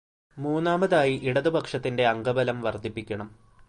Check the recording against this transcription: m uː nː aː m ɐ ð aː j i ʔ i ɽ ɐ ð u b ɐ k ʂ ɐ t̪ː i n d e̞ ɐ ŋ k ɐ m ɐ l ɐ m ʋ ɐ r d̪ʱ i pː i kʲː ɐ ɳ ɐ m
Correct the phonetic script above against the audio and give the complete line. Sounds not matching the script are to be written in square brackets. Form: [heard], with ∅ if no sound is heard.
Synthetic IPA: m uː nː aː m ɐ ð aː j i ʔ i ɽ ɐ ð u b ɐ k ʂ ɐ t̪ː i n d e̞ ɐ ŋ [ɡ] ɐ [b] ɐ l ɐ m ʋ ɐ r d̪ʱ i pː i kʲː ɐ ɳ ɐ m